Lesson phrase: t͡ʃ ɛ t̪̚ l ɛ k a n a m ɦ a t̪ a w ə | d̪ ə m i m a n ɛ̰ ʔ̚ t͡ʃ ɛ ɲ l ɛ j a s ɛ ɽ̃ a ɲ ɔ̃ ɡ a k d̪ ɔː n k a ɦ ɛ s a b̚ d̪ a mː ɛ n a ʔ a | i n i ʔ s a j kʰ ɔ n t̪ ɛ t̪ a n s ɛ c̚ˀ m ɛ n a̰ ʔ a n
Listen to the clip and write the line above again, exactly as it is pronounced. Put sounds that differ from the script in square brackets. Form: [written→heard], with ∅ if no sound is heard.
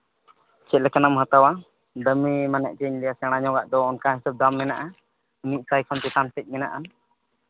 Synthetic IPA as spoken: t͡ʃ ɛ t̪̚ l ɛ k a n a m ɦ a t̪ a w [ə→a] | d̪ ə m i m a n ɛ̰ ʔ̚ t͡ʃ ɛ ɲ l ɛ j a s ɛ ɽ̃ a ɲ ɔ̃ ɡ a [k→ʔ] d̪ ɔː n k a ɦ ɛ s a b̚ d̪ a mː ɛ n a ʔ a | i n i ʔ s a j kʰ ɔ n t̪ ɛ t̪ a n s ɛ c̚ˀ m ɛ n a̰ ʔ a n